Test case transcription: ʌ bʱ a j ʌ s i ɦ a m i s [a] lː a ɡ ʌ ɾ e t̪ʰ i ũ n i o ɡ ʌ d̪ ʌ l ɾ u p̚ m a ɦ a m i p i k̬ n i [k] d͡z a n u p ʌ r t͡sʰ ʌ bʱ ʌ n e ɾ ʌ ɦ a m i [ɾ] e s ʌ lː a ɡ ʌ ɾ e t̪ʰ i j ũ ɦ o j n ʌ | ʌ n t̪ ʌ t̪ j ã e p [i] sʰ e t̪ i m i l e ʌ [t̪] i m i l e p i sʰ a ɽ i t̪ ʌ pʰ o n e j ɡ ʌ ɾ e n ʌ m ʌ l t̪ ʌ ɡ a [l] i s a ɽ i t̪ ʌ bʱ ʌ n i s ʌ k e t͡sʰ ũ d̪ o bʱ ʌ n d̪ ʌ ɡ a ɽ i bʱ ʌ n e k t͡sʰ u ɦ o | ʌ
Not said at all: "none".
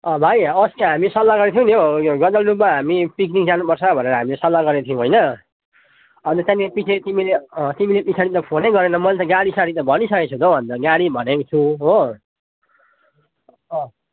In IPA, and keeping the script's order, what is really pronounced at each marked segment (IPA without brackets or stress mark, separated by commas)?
ʌ, k, l, i, t̪, ɽ